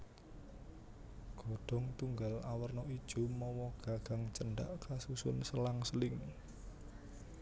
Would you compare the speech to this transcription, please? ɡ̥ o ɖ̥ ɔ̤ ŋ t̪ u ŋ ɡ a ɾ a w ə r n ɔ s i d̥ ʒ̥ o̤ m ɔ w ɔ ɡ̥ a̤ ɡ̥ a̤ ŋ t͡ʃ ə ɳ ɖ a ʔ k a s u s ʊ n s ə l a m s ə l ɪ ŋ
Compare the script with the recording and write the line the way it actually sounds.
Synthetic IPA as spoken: ɡ̥ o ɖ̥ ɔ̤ ŋ t̪ u ŋ ɡ a l a w ə r n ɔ i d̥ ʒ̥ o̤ m ɔ w ɔ ɡ̥ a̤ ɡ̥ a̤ ŋ t͡ʃ ə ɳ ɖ a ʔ k a s u s ʊ n s ə l a ŋ s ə l ɪ ŋ